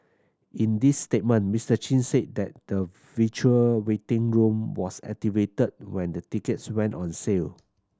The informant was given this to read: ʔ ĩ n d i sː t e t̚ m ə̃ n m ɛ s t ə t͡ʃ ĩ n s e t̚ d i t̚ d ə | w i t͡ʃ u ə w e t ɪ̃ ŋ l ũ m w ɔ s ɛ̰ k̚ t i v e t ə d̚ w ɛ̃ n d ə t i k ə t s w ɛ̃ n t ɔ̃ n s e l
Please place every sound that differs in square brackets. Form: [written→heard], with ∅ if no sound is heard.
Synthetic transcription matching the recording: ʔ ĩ n d i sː t e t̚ m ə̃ n m [ɛ→i] s t ə t͡ʃ ĩ n s e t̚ d [i→ɛ] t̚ d ə | [w→v] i t͡ʃ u ə w e t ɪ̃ ŋ [l→ɹ] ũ m w ɔ s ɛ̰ k̚ t i v e t ə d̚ w ɛ̃ n d ə t i k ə t s w ɛ̃ n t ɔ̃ n s e l

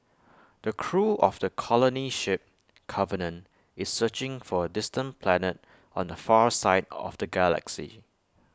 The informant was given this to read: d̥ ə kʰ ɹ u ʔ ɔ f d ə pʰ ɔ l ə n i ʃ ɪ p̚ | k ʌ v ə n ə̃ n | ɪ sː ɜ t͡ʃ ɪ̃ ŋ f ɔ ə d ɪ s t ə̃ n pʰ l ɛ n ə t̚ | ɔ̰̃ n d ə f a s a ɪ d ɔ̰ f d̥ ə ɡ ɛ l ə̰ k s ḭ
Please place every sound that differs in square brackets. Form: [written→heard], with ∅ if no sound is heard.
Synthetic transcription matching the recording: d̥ ə kʰ ɹ u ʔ ɔ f d ə [pʰ→kʰ] ɔ l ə n i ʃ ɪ p̚ | [k→kʰ] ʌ v ə n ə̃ n | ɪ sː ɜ t͡ʃ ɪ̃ ŋ f ɔ ə d ɪ s t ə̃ n pʰ l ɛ n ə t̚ | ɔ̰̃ n d ə f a s a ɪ d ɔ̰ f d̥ ə ɡ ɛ l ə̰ k s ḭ

